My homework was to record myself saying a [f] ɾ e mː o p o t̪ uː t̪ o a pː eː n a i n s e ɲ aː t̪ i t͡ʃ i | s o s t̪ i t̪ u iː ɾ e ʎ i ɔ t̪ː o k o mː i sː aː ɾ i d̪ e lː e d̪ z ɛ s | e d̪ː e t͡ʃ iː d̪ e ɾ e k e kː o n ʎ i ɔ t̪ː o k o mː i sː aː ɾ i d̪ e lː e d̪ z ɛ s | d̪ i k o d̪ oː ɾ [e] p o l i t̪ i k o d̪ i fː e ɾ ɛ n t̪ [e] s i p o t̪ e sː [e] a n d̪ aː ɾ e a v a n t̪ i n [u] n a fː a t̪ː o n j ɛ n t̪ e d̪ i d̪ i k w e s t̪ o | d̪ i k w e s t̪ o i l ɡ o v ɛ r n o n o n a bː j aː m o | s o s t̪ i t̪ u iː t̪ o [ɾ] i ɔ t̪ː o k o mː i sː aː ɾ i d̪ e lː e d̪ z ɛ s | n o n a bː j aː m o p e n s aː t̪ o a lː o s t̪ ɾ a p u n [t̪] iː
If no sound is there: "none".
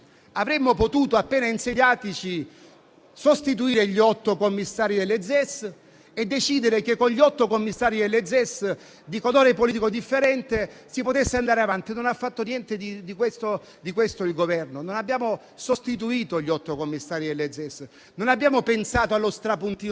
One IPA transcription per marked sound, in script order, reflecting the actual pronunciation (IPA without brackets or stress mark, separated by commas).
v, e, e, e, o, ʎ, t̪